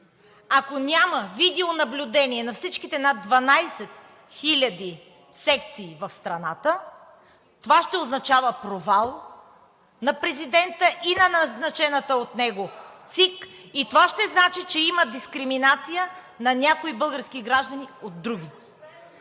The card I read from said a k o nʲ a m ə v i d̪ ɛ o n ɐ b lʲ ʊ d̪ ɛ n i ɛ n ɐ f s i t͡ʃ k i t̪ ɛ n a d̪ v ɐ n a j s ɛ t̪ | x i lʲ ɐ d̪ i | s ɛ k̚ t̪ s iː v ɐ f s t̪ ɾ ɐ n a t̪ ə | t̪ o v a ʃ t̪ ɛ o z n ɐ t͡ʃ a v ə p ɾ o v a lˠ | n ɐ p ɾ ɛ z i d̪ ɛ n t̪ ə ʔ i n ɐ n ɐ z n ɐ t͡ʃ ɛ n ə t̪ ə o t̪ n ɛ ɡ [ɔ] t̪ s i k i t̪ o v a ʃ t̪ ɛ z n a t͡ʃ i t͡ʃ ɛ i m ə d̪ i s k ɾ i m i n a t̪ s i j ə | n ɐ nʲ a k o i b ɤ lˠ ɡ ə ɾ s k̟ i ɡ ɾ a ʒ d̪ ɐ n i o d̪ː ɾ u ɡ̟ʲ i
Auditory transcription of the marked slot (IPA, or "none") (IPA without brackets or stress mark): o